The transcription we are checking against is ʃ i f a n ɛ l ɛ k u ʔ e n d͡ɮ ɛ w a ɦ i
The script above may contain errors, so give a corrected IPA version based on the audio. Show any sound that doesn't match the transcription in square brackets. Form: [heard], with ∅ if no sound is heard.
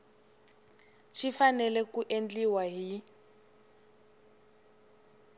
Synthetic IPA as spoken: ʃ i f a n ɛ l ɛ k u ʔ e n d͡ɮ [i] w a ɦ i